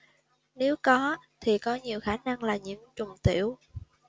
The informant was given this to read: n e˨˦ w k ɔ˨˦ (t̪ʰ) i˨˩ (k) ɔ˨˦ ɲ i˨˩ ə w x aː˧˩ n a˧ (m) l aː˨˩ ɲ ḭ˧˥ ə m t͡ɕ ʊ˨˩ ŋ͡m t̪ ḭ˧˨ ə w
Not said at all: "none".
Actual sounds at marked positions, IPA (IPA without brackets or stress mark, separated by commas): t̪ʰ, k, ŋ